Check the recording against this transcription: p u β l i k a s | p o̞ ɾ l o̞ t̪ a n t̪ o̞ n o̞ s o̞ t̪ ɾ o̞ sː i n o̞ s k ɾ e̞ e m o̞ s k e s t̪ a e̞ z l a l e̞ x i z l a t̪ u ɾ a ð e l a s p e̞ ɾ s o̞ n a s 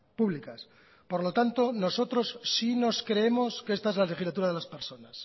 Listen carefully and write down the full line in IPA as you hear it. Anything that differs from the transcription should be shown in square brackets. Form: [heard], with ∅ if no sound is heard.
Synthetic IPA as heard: p u β l i k a s | p o̞ ɾ l o̞ t̪ a n t̪ o̞ n o̞ s o̞ t̪ ɾ o̞ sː i n o̞ s k ɾ e̞ e m o̞ s k e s t̪ a e̞ z l a l e̞ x i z l a t̪ u ɾ a ð e l a s p e̞ ɾ s o̞ n a s